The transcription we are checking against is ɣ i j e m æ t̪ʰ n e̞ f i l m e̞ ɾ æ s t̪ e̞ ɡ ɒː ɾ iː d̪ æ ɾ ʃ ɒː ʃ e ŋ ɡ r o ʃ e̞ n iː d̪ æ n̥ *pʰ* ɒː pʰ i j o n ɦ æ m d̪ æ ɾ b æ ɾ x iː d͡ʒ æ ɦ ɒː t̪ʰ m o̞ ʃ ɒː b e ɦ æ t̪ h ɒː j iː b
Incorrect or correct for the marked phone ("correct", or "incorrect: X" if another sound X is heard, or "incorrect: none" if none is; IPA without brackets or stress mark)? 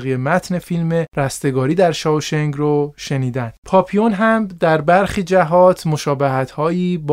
correct